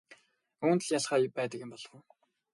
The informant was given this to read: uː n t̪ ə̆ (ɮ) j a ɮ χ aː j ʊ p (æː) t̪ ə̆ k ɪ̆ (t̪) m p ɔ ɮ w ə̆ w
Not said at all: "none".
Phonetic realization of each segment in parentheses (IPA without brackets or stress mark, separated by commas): ɮ, æː, none